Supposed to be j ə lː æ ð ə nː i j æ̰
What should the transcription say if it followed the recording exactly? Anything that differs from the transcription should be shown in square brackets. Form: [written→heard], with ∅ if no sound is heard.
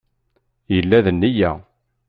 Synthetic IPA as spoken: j ə lː æ ð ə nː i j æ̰